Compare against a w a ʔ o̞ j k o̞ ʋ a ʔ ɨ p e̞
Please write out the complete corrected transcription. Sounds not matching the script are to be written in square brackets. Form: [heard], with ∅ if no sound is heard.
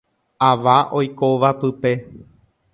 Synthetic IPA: a [ʋ] a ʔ o̞ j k o̞ ʋ a [p] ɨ p e̞